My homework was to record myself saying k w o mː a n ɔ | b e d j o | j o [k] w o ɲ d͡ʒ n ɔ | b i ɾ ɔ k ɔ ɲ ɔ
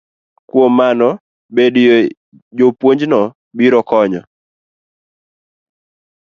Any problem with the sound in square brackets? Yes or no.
yes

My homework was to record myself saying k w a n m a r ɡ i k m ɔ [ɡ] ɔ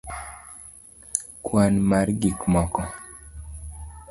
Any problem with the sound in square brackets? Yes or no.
yes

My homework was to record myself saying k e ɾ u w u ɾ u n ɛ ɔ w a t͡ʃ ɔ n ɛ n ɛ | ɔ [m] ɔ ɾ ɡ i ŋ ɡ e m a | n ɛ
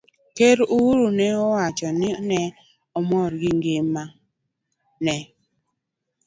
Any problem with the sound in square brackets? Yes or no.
no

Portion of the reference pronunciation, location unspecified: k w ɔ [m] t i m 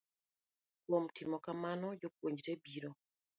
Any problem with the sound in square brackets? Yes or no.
no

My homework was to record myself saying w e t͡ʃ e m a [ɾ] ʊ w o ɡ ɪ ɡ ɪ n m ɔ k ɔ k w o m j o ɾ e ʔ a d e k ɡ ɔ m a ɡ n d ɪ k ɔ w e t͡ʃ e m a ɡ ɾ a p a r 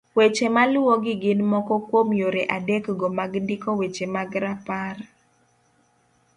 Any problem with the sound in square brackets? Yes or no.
yes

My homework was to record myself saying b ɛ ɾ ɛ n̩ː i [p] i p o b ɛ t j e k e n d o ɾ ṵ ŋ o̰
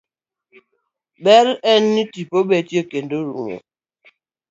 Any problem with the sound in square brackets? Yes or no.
yes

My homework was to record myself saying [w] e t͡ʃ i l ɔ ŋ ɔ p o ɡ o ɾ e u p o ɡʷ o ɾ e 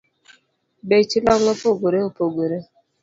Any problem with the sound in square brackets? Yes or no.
yes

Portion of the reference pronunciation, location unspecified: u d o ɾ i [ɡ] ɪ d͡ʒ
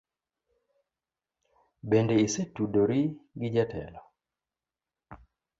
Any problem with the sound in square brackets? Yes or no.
no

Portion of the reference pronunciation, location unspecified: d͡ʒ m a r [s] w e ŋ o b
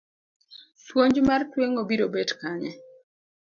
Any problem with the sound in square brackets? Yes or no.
yes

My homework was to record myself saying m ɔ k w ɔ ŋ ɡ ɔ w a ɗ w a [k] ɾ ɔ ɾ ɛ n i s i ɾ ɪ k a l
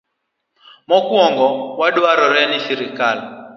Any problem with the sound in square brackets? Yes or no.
yes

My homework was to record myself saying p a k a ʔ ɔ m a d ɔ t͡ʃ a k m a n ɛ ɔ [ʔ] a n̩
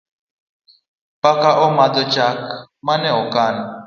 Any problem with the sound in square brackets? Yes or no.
yes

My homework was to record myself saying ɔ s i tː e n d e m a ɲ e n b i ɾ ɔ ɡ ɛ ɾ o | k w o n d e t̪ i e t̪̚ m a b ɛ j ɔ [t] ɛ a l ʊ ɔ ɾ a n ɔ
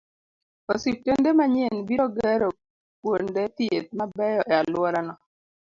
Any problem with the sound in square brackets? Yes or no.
yes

